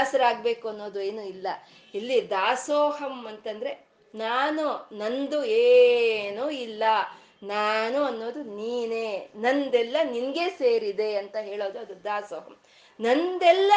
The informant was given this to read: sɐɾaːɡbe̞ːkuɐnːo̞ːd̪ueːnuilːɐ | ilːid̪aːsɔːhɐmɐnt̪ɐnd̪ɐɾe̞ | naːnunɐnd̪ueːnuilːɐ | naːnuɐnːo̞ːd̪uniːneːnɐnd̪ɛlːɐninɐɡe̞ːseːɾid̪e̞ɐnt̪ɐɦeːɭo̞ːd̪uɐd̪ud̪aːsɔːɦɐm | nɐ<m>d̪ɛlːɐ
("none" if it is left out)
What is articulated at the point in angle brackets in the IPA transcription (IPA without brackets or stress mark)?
n